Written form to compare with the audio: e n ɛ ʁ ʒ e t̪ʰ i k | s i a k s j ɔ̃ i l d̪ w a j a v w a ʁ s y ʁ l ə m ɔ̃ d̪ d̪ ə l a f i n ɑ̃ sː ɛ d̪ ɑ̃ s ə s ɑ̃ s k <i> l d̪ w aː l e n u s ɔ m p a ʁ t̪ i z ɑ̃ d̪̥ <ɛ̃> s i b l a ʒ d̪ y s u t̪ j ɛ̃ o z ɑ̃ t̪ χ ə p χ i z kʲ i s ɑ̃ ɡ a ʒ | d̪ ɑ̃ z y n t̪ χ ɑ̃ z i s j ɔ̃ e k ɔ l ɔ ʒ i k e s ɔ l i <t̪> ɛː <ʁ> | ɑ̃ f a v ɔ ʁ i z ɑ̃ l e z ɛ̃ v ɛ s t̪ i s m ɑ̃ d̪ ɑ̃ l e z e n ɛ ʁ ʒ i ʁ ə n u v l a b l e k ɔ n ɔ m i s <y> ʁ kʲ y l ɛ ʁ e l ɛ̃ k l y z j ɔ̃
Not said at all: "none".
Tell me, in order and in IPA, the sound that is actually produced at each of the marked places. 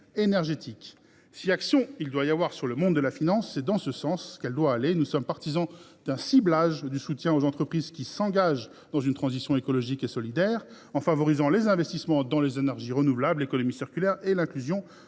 ɛ, ɛ̃, d̪, ʁ, i

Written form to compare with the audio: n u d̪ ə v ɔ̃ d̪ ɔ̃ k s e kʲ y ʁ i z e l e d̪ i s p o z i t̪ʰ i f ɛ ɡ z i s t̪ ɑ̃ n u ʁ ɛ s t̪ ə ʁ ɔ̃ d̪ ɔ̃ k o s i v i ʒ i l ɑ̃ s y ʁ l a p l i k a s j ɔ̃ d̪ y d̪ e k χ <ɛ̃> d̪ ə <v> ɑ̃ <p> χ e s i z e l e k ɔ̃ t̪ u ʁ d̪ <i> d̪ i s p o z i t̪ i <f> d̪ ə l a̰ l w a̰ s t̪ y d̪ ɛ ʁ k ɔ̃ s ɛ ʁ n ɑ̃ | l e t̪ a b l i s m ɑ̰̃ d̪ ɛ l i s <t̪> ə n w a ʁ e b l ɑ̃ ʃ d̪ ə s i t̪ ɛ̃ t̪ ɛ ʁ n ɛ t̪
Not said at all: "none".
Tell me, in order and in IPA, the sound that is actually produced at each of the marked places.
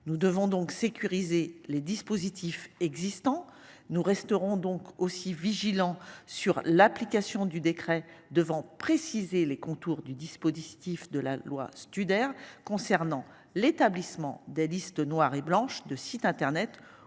ɛ, v, p, y, f, t̪

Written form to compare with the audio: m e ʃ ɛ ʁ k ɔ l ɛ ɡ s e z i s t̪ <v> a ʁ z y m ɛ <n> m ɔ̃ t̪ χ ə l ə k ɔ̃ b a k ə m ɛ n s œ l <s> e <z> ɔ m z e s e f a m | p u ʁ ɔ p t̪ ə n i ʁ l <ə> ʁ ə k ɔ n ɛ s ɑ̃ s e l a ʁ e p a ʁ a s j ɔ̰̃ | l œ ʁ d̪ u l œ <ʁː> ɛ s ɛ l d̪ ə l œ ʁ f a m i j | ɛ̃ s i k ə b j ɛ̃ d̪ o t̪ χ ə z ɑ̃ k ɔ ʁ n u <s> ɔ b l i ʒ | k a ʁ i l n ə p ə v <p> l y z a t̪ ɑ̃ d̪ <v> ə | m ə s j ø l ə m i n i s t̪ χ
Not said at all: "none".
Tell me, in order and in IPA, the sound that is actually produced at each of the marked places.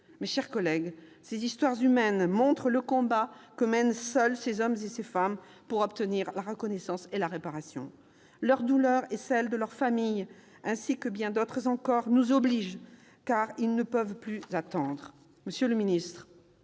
w, n, s, z, a, ʁ, z, p, ʁ

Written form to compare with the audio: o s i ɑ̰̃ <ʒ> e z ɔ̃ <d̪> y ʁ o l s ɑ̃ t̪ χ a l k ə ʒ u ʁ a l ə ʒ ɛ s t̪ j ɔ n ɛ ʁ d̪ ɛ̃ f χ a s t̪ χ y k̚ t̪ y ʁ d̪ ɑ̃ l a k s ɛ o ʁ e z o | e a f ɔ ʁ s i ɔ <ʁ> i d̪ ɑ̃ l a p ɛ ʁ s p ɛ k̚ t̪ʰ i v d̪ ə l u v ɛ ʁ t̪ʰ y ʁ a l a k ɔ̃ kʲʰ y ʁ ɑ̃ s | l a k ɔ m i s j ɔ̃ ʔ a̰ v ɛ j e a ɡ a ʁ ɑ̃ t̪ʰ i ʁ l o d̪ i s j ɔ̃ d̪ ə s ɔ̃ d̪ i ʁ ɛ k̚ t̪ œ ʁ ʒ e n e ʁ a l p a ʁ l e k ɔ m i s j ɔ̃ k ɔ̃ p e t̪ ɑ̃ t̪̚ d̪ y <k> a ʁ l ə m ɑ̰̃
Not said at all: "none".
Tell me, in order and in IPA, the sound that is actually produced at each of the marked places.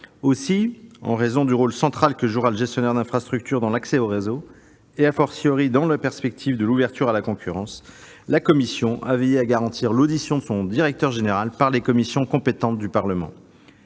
ʁ, d̪, ʁ, p

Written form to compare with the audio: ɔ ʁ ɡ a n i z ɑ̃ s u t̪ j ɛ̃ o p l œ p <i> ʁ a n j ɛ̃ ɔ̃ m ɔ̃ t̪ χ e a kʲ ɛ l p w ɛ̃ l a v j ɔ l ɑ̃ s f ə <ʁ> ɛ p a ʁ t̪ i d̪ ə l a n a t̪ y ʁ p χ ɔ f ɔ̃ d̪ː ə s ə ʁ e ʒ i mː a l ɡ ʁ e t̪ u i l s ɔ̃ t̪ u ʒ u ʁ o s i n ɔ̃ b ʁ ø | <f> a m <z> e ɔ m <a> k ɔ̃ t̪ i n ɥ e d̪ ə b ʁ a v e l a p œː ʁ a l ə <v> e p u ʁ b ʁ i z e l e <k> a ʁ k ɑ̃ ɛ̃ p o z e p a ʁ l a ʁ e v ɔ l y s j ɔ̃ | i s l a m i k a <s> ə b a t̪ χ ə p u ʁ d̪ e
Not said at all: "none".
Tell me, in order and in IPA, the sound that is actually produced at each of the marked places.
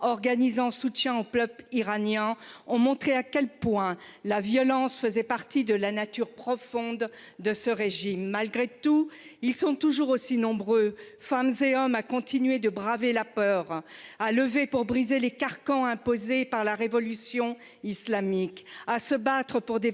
i, z, f, z, a, v, k, s

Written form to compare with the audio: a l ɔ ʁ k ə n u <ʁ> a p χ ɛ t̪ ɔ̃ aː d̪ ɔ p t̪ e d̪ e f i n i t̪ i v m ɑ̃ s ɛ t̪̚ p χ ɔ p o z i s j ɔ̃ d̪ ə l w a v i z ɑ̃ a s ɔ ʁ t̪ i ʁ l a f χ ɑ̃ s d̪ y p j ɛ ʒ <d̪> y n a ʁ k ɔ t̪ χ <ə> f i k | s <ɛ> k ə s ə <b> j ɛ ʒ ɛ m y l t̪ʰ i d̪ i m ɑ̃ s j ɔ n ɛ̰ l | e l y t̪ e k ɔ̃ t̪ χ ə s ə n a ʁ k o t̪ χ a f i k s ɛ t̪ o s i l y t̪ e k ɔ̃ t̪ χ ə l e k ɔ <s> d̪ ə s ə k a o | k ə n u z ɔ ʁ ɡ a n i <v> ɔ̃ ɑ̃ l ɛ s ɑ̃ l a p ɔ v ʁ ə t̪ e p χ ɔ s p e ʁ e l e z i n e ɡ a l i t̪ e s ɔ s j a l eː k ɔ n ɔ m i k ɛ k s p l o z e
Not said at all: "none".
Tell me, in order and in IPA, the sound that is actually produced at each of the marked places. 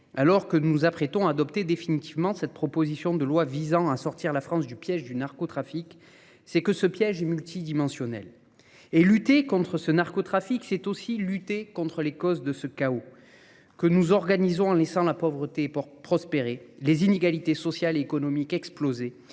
z, d̪, a, ɛ, p, z, z

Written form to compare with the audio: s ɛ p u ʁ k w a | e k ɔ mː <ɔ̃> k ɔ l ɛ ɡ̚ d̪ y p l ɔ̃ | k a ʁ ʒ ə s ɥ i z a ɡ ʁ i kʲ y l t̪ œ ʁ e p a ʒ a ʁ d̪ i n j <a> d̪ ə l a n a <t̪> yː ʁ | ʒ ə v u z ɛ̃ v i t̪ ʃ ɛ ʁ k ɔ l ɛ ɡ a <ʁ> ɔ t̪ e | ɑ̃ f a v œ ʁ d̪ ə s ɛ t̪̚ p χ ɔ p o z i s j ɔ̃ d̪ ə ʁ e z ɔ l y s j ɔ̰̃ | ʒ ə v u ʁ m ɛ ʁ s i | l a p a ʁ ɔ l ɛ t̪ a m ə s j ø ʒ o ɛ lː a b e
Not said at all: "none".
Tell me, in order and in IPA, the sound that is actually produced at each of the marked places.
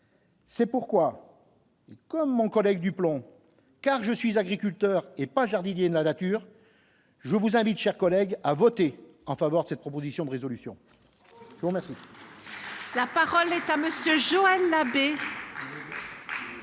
ɔ̃, e, t̪, v

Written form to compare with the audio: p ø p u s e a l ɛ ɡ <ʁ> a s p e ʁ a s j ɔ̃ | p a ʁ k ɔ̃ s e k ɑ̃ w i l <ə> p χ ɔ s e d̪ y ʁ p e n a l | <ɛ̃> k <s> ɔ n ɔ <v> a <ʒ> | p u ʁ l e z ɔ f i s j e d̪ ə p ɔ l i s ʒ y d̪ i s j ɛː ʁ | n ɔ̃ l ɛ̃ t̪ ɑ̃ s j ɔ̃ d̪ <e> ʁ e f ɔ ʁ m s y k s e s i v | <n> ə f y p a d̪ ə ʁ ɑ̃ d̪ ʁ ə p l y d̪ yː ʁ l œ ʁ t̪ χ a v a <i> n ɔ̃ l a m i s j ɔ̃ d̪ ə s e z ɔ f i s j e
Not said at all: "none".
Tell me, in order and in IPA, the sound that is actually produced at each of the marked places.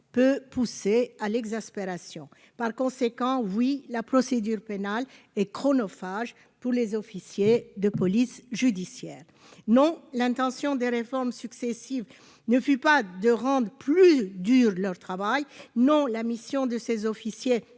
z, a, ɛ, χ, f, ʒ, e, n, j

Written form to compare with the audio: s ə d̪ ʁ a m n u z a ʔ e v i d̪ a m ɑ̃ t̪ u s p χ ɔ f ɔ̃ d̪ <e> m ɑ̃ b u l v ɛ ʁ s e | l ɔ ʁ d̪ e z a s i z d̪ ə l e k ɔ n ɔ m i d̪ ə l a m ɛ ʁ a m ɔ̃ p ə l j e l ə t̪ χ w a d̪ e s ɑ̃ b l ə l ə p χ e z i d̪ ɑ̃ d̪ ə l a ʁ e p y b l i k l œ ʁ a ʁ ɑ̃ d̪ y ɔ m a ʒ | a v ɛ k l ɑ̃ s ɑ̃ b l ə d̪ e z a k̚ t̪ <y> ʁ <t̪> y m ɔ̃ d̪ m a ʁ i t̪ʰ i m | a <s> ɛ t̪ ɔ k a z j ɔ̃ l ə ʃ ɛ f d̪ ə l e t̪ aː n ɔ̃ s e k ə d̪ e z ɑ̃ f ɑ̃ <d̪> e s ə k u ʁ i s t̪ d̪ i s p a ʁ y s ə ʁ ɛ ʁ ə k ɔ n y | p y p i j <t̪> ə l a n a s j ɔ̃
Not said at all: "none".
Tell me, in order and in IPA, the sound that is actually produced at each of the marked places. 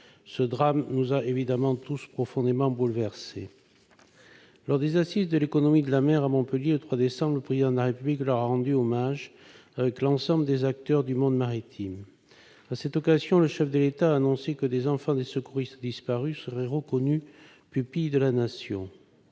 e, œ, d̪, s, d̪, d̪

